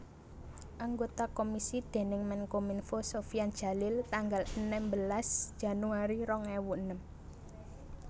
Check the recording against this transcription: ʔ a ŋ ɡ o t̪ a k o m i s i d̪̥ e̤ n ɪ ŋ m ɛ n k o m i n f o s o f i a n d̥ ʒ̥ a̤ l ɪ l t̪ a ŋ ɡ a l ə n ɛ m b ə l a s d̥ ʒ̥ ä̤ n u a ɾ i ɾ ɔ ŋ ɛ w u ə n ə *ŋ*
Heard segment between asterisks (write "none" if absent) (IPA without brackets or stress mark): m